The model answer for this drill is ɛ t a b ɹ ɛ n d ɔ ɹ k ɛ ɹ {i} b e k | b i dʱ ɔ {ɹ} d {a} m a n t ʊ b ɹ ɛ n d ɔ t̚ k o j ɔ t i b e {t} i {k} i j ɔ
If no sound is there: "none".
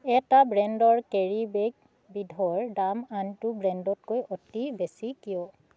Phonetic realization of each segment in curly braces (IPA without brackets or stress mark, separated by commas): i, ɹ, a, s, k